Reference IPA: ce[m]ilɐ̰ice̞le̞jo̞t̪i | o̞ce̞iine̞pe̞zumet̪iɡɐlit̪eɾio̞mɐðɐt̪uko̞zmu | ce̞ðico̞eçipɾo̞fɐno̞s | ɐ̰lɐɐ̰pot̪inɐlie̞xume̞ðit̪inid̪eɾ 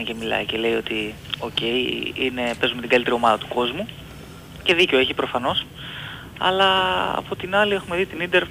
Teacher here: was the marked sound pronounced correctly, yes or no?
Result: yes